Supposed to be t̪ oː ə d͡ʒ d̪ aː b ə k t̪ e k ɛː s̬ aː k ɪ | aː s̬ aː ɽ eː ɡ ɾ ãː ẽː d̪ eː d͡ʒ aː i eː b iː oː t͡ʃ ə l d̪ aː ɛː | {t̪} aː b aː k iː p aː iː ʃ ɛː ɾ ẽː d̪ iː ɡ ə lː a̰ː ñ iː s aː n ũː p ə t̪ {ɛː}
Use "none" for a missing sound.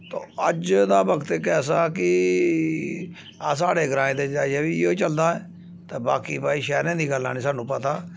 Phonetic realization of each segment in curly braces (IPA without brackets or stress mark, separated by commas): t̪, aː